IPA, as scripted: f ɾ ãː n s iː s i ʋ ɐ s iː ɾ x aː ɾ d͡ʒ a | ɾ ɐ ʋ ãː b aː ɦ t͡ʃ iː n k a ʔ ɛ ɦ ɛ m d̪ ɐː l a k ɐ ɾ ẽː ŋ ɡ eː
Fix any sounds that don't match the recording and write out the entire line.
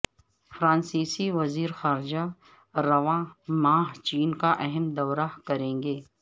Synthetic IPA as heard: f ɾ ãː n s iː s i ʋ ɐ z iː ɾ x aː ɾ d͡ʒ a | ɾ ɐ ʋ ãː m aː ɦ t͡ʃ iː n k a ʔ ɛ ɦ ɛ m d̪ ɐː ɾ a k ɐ ɾ ẽː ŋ ɡ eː